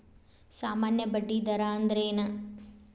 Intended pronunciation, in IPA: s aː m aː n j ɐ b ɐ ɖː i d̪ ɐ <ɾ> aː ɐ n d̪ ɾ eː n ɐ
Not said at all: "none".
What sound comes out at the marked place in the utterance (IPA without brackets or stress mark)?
ɾ